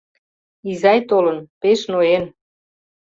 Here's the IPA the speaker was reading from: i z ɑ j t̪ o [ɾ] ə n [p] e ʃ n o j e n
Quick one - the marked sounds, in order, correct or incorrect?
incorrect, correct

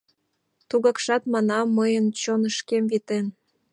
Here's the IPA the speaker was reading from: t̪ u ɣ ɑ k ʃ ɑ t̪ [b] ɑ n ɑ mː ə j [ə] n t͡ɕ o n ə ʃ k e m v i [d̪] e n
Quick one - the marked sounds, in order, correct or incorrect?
incorrect, correct, incorrect

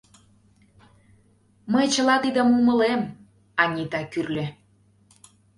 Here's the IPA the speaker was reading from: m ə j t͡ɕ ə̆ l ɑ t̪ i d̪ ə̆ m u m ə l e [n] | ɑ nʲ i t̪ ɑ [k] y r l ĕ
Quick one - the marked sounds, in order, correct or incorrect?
incorrect, correct

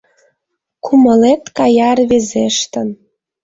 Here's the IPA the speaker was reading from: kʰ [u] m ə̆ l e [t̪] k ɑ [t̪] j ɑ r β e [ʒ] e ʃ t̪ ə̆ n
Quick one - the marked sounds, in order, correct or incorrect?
correct, correct, incorrect, incorrect

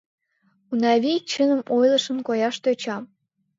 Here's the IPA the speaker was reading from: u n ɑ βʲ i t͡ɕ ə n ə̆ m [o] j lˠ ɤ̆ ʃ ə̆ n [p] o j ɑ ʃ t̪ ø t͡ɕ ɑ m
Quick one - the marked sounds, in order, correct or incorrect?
correct, incorrect

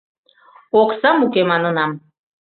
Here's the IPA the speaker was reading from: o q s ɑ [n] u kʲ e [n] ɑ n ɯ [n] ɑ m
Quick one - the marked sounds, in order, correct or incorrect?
incorrect, incorrect, correct

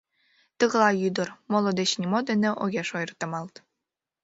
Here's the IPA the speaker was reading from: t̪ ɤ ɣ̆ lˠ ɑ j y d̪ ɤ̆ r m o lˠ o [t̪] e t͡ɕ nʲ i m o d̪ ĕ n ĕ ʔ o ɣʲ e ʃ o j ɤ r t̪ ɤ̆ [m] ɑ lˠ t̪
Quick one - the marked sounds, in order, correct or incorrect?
incorrect, correct

